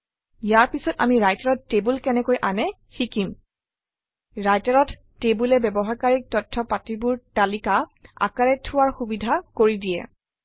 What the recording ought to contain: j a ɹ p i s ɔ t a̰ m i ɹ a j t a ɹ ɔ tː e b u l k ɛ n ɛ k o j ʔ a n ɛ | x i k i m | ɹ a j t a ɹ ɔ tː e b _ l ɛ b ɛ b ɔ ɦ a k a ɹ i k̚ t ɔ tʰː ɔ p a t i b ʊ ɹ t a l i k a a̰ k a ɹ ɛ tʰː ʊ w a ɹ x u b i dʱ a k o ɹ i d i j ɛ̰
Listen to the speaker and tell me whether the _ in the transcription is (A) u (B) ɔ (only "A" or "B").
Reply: A